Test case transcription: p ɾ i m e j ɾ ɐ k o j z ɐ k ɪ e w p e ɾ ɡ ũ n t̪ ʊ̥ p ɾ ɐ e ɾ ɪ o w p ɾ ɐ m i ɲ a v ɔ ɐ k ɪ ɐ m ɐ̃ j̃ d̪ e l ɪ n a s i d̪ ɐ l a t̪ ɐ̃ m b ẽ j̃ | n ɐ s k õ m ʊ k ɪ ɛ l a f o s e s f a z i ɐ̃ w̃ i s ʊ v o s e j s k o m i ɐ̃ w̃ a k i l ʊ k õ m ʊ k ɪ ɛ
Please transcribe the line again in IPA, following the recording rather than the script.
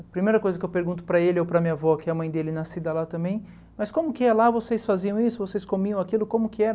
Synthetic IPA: p ɾ i m e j ɾ ɐ k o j z ɐ k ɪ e w p e ɾ ɡ ũ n t̪ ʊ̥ p ɾ ɐ e l ɪ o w p ɾ ɐ m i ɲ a v ɔ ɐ k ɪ ɐ m ɐ̃ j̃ d̪ e l ɪ n a s i d̪ ɐ l a t̪ ɐ̃ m b ẽ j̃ | m ɐ s k õ m ʊ k ɪ ɛ l a v o s e s f a z i ɐ̃ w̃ i s ʊ v o s e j s k o m i ɐ̃ w̃ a k i l ʊ k õ m ʊ k ɪ ɛ